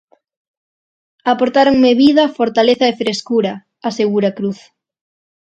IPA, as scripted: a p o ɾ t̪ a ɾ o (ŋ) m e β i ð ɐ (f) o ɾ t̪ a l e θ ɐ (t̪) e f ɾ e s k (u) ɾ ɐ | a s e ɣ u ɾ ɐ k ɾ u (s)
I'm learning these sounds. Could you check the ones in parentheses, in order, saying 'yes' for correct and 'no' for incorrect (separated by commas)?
yes, yes, no, yes, no